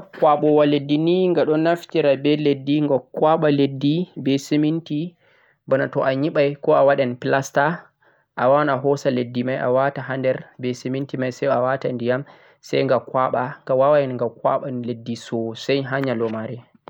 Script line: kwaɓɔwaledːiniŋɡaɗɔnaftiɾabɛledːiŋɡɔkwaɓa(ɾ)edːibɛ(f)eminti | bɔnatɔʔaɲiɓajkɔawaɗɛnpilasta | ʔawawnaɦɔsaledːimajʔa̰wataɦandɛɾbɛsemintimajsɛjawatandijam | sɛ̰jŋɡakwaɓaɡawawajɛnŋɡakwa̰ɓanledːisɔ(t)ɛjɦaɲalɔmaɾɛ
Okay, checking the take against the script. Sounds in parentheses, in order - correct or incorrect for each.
incorrect, incorrect, incorrect

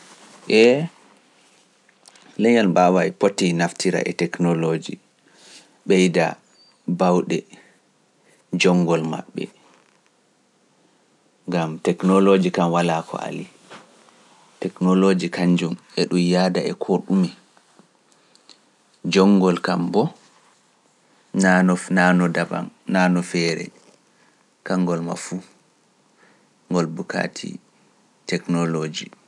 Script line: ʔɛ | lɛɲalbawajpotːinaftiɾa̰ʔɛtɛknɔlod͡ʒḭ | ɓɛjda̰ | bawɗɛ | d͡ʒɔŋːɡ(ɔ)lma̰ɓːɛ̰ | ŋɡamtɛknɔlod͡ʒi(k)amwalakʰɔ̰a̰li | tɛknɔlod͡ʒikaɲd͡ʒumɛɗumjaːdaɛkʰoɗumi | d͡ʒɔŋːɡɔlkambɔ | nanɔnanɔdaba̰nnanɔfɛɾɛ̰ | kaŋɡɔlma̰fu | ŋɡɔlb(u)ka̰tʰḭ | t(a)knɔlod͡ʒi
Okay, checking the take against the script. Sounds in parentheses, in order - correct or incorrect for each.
correct, correct, correct, incorrect

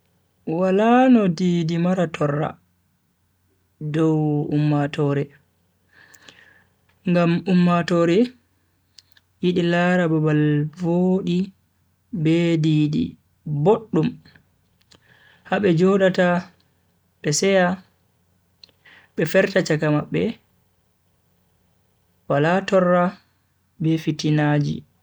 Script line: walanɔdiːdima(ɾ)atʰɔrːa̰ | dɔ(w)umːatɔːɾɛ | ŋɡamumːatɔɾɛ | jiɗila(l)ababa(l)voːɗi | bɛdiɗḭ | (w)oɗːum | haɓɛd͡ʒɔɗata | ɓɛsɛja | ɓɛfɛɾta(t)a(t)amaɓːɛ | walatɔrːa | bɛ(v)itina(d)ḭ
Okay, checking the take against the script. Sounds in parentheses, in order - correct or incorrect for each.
correct, correct, incorrect, correct, incorrect, incorrect, incorrect, incorrect, incorrect

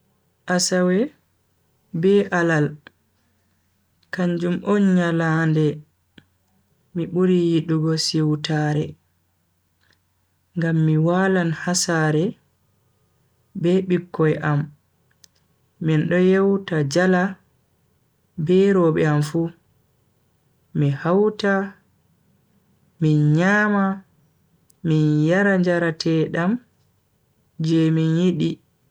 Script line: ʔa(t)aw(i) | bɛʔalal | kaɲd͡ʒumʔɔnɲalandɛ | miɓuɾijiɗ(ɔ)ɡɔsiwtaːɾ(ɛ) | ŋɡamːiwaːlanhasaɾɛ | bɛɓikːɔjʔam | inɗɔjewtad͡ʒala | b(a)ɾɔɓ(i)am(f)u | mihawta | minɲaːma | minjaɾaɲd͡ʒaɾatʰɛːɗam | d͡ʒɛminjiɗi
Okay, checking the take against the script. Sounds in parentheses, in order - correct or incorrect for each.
incorrect, incorrect, incorrect, correct, incorrect, incorrect, correct

